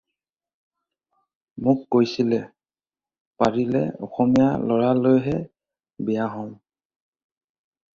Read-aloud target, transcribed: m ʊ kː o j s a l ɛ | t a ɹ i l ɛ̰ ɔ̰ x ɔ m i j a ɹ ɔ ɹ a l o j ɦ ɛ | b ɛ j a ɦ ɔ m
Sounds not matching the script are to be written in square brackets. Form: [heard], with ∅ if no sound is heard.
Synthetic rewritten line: m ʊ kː o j s [i] l ɛ | [p] a ɹ i l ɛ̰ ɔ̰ x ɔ m i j a [l] ɔ ɹ a l o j ɦ ɛ | b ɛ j a ɦ ɔ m

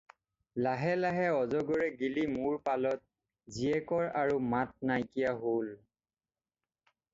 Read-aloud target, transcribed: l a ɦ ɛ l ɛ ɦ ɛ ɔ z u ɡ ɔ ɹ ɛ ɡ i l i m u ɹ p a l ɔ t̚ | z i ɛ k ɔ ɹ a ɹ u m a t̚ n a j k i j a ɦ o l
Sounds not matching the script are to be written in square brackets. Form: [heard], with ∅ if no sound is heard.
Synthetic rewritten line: l a ɦ ɛ l [a] ɦ ɛ ɔ z [ɔ] ɡ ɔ ɹ ɛ ɡ i l i m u ɹ p a l ɔ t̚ | z i ɛ k ɔ ɹ a ɹ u m a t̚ n a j k i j a ɦ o l

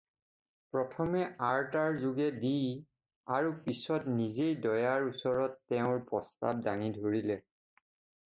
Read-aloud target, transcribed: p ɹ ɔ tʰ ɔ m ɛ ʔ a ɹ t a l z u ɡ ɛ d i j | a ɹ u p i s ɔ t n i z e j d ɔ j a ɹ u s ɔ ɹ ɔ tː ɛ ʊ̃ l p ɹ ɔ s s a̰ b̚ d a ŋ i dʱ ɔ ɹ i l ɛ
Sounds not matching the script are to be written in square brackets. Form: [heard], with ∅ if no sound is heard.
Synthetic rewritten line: p ɹ ɔ tʰ ɔ m ɛ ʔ a ɹ t a [ɹ] z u ɡ ɛ d i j | a ɹ u p i s ɔ t n i z e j d ɔ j a ɹ u s ɔ ɹ ɔ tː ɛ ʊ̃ [ɹ] p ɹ ɔ s [t] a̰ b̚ d a ŋ i dʱ [o] ɹ i l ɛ

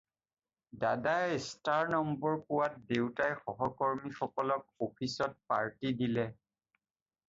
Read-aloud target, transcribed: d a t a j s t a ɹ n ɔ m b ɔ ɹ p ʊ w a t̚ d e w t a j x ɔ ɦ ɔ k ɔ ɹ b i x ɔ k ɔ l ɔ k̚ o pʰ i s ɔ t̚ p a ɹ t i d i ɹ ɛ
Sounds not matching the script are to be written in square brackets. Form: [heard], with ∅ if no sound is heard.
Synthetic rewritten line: d a [d] a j s t a ɹ n ɔ m b ɔ ɹ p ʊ w a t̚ d e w t a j x ɔ ɦ ɔ k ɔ ɹ [m] i x ɔ k ɔ l ɔ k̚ o pʰ i s ɔ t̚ p a ɹ t i d i [l] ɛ

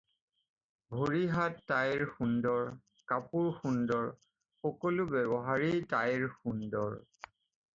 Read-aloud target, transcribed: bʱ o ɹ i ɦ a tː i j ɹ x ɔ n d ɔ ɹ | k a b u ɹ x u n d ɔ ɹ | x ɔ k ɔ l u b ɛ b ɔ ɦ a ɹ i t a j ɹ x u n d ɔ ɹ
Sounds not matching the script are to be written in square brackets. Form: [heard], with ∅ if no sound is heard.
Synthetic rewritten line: bʱ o ɹ i ɦ a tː [a] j ɹ x [u] n d ɔ ɹ | k a [p] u ɹ x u n d ɔ ɹ | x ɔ k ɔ l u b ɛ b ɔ ɦ a ɹ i t a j ɹ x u n d ɔ ɹ

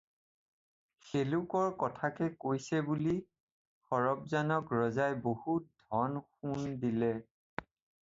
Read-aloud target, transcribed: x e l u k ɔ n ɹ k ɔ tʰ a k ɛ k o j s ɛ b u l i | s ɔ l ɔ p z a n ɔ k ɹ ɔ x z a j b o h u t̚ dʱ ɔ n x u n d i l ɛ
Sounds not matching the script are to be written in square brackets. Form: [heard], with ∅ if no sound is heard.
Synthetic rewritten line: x e l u k ɔ [∅] ɹ k ɔ tʰ a k ɛ k o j s ɛ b u l i | [x] ɔ [ɹ] ɔ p z a n ɔ k ɹ ɔ [∅] z a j b o h u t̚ dʱ ɔ n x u n d i l ɛ

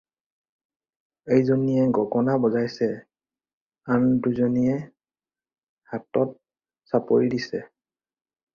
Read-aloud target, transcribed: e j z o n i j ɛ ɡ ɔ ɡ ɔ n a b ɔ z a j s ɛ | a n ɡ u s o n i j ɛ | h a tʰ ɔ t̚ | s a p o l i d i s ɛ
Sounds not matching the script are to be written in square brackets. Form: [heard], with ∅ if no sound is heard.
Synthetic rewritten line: e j z o n i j ɛ ɡ ɔ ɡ ɔ n a b ɔ z a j s ɛ | a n [d] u [z] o n i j ɛ | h a [t] ɔ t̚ | s a p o [ɹ] i d i s ɛ

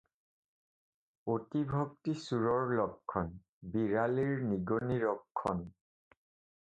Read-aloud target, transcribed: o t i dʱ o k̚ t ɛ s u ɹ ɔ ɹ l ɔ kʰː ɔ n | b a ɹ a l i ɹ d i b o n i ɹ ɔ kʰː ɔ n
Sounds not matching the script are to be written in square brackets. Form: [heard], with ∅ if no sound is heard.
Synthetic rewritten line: o t i [bʱ] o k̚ t [i] s u ɹ ɔ ɹ l ɔ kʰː ɔ n | b [i] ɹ a l i ɹ [n] i [ɡ] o n i ɹ ɔ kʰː ɔ n

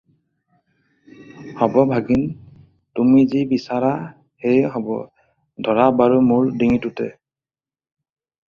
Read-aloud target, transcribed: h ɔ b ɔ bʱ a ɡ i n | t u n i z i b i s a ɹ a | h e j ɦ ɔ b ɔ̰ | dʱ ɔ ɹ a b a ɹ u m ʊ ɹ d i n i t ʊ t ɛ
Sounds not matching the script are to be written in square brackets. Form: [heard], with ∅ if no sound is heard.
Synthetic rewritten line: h ɔ b ɔ bʱ a ɡ i n | t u [m] i z i b i s a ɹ a | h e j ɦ ɔ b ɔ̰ | dʱ ɔ ɹ a b a ɹ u m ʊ ɹ d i [ŋ] i t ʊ t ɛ

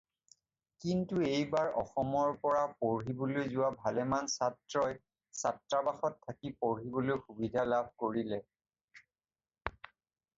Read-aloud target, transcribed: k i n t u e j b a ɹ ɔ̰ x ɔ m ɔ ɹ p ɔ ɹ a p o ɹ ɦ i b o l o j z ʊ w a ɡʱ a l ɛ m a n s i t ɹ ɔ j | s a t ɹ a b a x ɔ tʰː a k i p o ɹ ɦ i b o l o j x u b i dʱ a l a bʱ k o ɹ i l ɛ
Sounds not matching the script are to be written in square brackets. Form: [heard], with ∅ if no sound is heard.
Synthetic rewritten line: k i n t u e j b a ɹ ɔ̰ x ɔ m ɔ ɹ p ɔ ɹ a p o ɹ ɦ i b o l o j z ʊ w a [bʱ] a l ɛ m a n s [a] t ɹ ɔ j | s a t ɹ a b a x ɔ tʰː a k i p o ɹ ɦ i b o l o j x u b i dʱ a l a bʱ k o ɹ i l ɛ

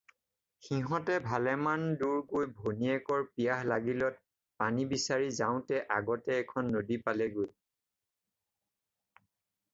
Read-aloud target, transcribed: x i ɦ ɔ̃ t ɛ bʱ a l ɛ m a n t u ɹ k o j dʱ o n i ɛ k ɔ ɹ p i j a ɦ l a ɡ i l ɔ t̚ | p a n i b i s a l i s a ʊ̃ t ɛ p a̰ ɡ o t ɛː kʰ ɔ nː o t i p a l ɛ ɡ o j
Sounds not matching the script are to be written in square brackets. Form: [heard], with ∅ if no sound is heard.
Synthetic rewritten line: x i ɦ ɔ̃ t ɛ bʱ a l ɛ m a n [d] u ɹ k o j [bʱ] o n i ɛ k ɔ ɹ p i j a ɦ l a ɡ i l ɔ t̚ | p a n i b i s a [ɹ] i [z] a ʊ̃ t ɛ [ʔ] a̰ ɡ [ɔ] t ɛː kʰ ɔ nː o [d] i p a l ɛ ɡ o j

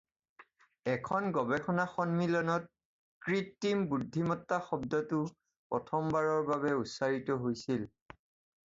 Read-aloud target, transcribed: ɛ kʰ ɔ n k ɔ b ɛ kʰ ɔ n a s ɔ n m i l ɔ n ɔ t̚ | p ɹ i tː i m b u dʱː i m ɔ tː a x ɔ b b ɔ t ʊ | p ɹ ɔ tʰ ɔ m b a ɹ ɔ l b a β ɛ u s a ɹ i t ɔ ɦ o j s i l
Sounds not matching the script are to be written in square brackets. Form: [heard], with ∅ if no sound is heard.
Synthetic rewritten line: ɛ kʰ ɔ n [ɡ] ɔ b ɛ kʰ ɔ n a [x] ɔ n m i l ɔ n ɔ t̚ | [k] ɹ i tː i m b u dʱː i m ɔ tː a x ɔ b [d] ɔ t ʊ | p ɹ ɔ tʰ ɔ m b a ɹ ɔ [ɹ] b a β ɛ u s a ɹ i t ɔ ɦ o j s i l

